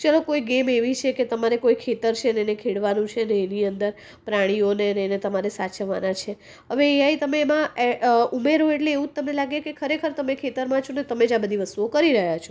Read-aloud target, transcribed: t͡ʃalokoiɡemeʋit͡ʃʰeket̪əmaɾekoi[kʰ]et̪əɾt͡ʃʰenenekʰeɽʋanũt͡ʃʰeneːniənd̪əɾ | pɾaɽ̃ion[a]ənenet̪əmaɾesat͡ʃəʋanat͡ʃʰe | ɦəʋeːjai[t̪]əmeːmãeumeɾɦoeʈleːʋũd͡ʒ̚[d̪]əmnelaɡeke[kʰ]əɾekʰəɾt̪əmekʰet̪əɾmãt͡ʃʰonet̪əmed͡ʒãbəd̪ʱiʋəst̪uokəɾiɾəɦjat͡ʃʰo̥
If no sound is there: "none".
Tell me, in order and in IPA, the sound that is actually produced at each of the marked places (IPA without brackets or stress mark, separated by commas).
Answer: kʰ, e, t̪, t̪, kʰ